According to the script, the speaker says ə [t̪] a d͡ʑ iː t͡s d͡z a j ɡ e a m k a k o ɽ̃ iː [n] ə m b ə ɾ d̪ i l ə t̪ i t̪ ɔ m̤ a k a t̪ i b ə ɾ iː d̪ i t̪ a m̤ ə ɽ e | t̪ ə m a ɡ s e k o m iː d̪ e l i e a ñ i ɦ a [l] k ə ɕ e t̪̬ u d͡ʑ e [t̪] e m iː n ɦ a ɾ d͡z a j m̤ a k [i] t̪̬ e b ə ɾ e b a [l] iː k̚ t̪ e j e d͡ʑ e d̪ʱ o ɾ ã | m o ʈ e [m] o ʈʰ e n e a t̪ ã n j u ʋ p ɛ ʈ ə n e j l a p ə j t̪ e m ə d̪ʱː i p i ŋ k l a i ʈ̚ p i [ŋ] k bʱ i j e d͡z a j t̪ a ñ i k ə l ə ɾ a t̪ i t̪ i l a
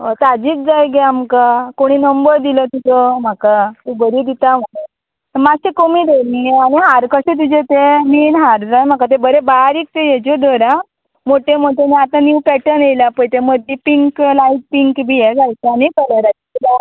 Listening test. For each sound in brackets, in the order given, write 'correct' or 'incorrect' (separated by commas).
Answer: correct, correct, incorrect, correct, incorrect, incorrect, correct, correct